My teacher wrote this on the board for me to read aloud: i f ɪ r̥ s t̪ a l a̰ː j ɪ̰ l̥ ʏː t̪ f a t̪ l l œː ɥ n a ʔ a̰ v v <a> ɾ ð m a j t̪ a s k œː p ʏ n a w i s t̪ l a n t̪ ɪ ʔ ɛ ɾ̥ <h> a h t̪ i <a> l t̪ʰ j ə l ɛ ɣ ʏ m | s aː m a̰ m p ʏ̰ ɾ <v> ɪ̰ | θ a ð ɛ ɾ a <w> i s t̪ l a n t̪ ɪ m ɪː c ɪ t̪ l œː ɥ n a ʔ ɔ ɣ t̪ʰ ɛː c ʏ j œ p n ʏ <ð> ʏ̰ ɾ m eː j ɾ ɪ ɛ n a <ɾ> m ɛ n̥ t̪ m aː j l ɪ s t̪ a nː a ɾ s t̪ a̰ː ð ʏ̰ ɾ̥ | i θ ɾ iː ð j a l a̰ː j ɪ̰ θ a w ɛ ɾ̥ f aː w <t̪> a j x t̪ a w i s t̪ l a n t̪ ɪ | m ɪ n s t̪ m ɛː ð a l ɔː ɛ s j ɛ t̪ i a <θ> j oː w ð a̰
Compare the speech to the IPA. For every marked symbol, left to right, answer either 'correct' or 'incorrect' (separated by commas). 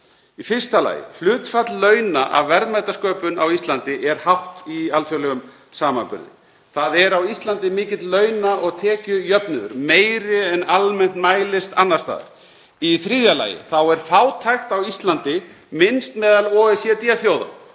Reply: incorrect, correct, correct, incorrect, correct, correct, incorrect, incorrect, correct